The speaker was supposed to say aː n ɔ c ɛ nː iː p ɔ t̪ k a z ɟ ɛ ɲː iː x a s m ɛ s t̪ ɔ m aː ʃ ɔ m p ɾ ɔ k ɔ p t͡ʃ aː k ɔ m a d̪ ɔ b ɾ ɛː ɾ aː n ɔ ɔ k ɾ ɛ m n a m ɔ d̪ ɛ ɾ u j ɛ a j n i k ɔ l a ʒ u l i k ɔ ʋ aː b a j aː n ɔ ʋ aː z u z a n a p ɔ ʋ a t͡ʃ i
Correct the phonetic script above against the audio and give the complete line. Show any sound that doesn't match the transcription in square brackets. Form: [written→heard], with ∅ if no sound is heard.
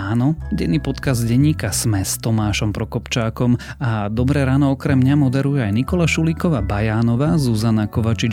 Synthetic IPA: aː n ɔ [c→ɟ] ɛ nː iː p ɔ t̪ k a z ɟ ɛ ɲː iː [x→k] a s m ɛ s t̪ ɔ m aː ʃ ɔ m p ɾ ɔ k ɔ p t͡ʃ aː k ɔ m a d̪ ɔ b ɾ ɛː ɾ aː n ɔ ɔ k ɾ ɛ m [n→ɲ] a m ɔ d̪ ɛ ɾ u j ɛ a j n i k ɔ l a [ʒ→ʃ] u l i k ɔ ʋ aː b a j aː n ɔ ʋ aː z u z a n a [p→k] ɔ ʋ a t͡ʃ i